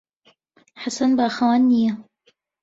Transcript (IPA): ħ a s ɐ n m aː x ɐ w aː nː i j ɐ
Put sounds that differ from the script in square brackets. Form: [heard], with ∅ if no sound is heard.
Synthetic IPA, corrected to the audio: ħ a s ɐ n [b] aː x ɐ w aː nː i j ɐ